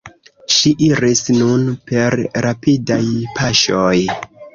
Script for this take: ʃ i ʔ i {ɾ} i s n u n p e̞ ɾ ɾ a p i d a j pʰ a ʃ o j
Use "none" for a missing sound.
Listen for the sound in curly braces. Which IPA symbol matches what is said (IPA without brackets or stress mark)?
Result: ɾ